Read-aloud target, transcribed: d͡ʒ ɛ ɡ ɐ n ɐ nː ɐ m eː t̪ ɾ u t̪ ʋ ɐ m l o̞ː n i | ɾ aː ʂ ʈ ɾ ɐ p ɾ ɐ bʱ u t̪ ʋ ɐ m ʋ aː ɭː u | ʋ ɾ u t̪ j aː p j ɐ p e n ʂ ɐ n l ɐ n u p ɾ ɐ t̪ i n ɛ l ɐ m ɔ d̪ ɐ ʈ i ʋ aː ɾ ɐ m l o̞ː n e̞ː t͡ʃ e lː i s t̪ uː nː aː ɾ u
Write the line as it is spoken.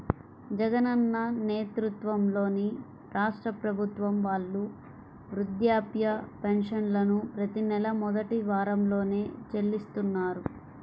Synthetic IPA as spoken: d͡ʒ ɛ ɡ ɐ n ɐ nː ɐ n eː t̪ ɾ u t̪ ʋ ɐ m l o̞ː n i | ɾ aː ʂ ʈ ɾ ɐ p ɾ ɐ bʱ u t̪ ʋ ɐ m ʋ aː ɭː u | ʋ ɾ u d̪ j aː p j ɐ p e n ʂ ɐ n l ɐ n u p ɾ ɐ t̪ i n ɛ l ɐ m ɔ d̪ ɐ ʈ i ʋ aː ɾ ɐ m l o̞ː n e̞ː t͡ʃ e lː i s t̪ u nː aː ɾ u